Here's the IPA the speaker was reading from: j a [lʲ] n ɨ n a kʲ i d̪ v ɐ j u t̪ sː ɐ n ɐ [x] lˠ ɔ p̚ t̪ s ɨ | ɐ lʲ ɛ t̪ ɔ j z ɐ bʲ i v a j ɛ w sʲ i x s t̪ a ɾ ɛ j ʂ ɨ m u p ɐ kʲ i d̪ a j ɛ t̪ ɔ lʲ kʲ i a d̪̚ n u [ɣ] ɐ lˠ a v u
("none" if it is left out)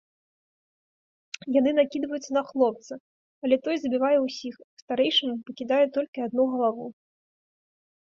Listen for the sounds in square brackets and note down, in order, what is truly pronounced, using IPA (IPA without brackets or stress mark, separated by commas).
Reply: none, x, ɣ